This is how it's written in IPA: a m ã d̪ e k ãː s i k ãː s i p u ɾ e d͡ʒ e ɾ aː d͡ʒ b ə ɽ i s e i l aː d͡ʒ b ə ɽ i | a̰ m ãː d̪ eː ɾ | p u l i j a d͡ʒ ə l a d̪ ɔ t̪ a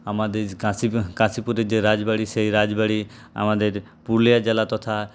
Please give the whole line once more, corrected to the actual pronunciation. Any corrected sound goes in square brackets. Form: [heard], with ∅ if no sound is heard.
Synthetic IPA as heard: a m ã d̪ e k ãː s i k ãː s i p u ɾ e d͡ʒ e ɾ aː d͡ʒ b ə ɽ i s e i [ɾ] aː d͡ʒ b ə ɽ i | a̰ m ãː d̪ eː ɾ | p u l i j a d͡ʒ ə l a [t̪] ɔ [t̪ʰ] a